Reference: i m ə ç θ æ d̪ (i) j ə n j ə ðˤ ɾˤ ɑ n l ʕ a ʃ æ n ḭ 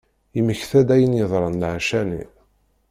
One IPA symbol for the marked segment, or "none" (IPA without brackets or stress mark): æ